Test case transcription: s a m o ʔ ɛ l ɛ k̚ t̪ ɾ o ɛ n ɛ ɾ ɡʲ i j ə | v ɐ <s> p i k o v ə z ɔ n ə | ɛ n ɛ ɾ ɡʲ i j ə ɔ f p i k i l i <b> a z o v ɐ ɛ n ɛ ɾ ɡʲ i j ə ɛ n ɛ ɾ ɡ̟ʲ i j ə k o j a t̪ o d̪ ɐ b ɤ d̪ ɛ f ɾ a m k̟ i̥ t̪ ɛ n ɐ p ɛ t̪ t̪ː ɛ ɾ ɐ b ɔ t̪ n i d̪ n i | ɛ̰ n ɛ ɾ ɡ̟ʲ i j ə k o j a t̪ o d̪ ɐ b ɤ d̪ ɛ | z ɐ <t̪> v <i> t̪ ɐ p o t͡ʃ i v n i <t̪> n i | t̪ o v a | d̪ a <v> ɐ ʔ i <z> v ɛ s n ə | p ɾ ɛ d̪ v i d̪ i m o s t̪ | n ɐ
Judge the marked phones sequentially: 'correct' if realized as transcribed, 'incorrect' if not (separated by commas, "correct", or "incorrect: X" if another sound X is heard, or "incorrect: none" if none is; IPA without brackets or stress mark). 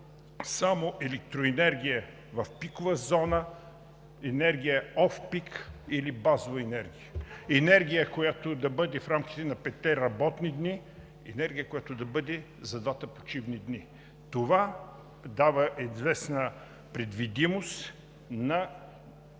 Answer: incorrect: f, correct, incorrect: d̪, incorrect: a, incorrect: d̪, correct, correct